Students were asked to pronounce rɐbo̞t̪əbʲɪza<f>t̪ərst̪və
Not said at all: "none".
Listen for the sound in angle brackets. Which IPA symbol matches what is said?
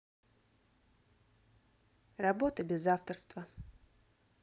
f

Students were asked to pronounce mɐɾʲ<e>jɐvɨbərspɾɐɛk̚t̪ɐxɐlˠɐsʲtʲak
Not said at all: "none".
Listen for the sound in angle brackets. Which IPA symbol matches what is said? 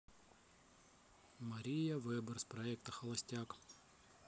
i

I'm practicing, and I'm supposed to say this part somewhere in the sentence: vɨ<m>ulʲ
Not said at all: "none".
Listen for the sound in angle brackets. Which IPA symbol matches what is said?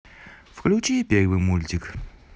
m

